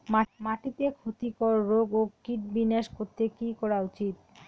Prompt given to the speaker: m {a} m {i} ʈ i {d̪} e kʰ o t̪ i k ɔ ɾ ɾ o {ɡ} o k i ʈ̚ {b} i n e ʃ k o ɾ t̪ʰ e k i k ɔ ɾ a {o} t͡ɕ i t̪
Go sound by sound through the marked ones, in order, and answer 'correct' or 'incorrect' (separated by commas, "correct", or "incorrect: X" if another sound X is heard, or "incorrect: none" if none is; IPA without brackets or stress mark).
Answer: correct, incorrect: a, incorrect: t̪, correct, correct, incorrect: u